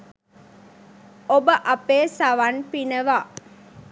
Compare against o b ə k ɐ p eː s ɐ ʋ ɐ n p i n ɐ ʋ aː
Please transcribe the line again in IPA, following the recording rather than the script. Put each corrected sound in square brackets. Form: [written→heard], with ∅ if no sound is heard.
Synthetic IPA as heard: o b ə [k→ʔ] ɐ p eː s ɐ ʋ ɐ n p i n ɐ ʋ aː